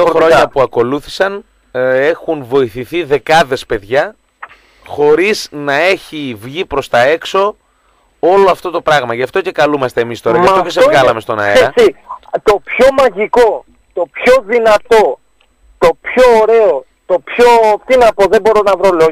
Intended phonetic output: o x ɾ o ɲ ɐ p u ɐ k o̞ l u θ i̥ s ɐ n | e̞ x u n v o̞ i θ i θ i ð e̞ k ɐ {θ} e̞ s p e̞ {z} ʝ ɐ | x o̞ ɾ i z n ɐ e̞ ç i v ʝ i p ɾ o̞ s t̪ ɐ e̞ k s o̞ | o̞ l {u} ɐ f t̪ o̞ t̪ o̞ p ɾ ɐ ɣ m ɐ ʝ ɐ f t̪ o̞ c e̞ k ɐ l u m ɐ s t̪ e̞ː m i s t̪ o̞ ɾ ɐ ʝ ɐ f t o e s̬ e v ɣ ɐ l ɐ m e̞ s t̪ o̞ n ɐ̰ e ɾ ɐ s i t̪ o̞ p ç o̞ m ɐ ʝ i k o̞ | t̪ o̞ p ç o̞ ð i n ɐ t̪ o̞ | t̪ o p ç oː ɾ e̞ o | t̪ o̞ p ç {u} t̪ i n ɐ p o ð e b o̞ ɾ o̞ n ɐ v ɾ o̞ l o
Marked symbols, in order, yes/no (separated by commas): no, no, no, no